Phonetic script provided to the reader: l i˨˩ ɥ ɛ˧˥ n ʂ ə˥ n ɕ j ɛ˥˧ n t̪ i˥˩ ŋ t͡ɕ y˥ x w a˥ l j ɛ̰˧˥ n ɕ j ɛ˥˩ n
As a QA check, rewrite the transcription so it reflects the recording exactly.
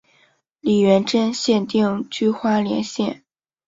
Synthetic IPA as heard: l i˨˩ ɥ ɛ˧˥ n ʈ͡ʂ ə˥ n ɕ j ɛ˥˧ n t̪ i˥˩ ŋ t͡ɕ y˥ x w a˥ l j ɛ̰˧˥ n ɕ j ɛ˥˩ n